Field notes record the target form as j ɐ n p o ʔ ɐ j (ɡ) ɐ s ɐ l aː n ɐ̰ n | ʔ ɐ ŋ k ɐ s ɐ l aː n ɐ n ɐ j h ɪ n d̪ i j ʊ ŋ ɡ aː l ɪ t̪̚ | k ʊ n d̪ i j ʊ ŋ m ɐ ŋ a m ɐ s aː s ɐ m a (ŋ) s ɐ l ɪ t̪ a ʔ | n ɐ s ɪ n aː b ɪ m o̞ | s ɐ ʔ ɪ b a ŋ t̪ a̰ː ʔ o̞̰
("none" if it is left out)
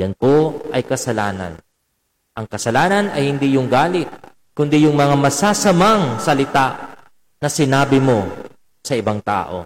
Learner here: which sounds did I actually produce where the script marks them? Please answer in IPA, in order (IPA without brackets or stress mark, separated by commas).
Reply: k, ŋ